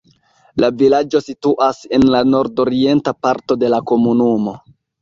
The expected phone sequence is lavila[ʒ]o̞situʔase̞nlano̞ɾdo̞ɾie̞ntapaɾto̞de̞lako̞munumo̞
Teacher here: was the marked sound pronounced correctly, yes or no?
no